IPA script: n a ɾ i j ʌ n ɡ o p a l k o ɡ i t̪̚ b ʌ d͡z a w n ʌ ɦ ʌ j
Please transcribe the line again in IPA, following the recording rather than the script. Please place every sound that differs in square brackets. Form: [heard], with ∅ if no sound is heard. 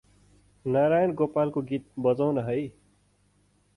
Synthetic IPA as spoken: n a ɾ [a] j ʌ n ɡ o p a l k o ɡ i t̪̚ b ʌ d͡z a w n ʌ ɦ ʌ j